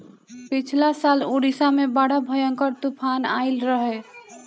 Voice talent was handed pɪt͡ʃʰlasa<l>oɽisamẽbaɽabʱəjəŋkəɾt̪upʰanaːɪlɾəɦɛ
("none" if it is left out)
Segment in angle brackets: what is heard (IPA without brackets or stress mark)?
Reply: l